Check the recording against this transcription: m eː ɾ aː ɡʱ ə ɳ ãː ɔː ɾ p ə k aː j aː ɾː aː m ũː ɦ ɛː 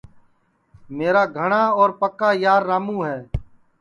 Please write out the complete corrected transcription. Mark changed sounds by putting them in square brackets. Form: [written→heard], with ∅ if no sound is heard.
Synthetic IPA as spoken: m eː ɾ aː ɡʱ ə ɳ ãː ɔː ɾ p ə k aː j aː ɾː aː m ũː ɦ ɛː